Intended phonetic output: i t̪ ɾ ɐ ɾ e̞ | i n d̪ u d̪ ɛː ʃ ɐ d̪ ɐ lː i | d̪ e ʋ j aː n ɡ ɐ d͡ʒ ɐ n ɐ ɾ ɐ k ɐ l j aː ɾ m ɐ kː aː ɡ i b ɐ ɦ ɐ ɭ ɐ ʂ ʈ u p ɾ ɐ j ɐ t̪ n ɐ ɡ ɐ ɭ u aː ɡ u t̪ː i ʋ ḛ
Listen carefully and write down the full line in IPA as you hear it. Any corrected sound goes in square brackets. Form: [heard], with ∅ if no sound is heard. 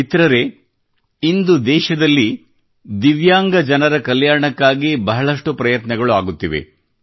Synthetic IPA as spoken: i t̪ ɾ ɐ ɾ e̞ | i n d̪ u d̪ ɛː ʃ ɐ d̪ ɐ lː i | d̪ [i] ʋ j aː [ŋ] ɡ ɐ d͡ʒ ɐ n ɐ ɾ ɐ k ɐ l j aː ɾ [ɳ] ɐ kː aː ɡ i b ɐ ɦ ɐ ɭ ɐ ʂ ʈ u p ɾ ɐ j ɐ t̪ n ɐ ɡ ɐ ɭ u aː ɡ u t̪ː i ʋ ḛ